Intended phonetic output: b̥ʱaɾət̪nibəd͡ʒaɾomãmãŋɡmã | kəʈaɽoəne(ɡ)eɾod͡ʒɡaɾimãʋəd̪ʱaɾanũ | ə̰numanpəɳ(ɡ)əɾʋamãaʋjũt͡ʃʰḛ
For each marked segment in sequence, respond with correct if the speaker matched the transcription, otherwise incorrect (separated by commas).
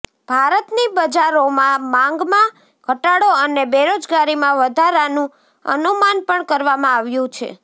incorrect, incorrect